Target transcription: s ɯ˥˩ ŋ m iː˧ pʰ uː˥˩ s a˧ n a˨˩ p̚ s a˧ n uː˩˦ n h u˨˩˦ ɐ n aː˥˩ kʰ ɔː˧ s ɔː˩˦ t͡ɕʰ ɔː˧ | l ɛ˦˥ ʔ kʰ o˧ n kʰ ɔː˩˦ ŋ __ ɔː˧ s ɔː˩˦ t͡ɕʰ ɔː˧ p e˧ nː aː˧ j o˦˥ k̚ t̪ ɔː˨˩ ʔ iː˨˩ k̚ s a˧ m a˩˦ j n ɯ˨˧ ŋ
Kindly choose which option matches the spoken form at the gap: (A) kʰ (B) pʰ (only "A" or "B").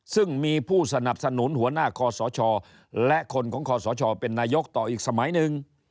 A